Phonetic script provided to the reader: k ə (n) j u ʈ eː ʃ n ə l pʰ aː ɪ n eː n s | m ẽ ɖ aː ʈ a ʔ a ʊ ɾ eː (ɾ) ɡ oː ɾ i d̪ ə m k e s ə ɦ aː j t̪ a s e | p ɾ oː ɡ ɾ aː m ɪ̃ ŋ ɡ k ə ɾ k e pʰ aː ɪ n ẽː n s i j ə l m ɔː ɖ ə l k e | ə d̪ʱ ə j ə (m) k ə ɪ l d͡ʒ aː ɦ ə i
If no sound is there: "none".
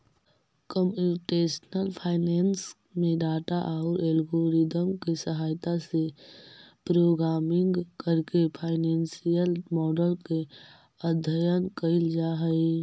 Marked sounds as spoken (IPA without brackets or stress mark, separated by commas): m, l, n